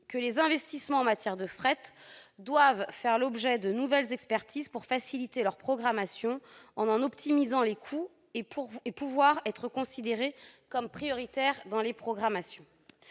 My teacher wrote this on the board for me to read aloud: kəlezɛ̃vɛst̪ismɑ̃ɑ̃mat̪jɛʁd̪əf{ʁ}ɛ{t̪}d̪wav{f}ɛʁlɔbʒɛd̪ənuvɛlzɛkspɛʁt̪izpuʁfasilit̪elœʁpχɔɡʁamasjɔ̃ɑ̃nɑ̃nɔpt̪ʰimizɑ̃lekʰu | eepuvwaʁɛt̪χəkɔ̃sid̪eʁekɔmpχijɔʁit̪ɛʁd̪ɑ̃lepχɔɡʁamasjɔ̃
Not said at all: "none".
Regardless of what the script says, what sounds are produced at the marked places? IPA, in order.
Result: χ, t̪, f

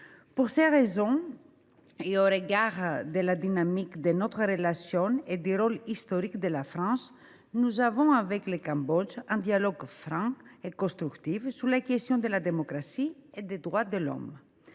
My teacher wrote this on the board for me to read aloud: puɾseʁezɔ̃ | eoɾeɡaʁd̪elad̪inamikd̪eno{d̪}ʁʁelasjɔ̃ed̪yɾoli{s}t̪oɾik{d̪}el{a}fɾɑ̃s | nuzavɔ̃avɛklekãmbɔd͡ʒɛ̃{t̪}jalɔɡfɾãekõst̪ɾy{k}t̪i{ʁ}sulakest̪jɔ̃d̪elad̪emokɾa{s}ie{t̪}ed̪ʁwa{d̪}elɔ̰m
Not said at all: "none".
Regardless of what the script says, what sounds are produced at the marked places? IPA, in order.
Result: t̪, s, d̪, a, d̪, k, v, s, d̪, d̪

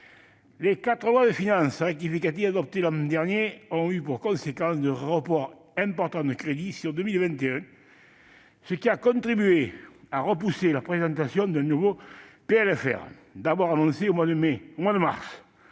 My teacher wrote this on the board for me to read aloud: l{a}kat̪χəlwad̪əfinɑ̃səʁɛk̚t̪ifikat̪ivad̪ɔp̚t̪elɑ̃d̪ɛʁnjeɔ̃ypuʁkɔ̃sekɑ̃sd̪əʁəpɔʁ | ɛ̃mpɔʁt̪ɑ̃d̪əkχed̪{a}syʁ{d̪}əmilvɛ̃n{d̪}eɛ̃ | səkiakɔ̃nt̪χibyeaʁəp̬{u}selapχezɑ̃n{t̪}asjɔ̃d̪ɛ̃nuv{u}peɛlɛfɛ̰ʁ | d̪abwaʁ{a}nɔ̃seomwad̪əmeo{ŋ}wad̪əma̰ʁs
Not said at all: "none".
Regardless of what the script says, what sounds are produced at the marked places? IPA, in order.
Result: e, i, d̪, t̪, u, t̪, o, a, m

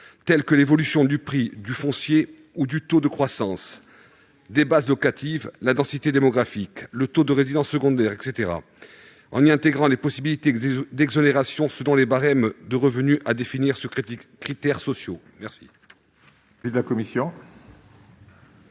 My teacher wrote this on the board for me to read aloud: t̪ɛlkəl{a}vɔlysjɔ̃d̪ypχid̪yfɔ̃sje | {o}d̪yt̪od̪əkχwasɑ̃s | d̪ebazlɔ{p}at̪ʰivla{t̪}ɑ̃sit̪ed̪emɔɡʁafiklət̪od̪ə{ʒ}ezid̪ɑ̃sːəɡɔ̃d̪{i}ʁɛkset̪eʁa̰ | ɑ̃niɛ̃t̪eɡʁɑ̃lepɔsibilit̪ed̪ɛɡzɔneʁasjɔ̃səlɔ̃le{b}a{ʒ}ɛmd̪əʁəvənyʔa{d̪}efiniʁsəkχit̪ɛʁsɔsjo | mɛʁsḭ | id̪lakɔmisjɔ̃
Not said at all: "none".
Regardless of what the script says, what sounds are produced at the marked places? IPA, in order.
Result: e, u, k, d̪, ʁ, ɛ, b, ʁ, d̪

